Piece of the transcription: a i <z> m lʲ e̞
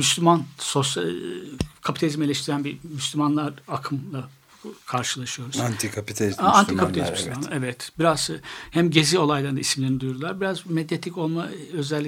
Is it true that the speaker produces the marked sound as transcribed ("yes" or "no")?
no